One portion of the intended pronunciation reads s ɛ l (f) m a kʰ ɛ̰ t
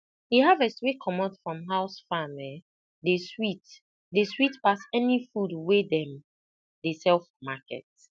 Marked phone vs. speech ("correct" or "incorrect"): correct